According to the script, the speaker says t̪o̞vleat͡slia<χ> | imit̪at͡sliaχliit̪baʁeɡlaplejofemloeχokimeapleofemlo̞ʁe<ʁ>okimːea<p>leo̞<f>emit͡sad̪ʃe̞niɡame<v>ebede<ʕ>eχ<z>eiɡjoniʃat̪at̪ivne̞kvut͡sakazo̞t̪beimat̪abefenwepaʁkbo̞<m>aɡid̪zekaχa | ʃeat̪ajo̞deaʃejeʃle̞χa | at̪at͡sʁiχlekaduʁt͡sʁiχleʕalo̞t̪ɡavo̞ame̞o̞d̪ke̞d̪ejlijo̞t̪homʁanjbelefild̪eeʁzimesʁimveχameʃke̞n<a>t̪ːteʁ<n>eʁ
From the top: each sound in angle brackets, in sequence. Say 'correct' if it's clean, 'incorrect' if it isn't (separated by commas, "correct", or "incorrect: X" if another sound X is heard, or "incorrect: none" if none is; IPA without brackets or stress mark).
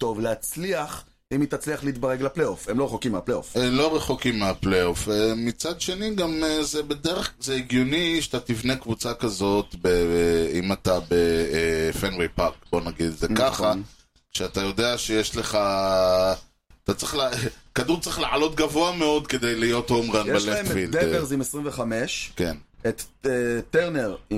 correct, incorrect: χ, correct, correct, incorrect: z, incorrect: ʁ, correct, incorrect: n, incorrect: e, correct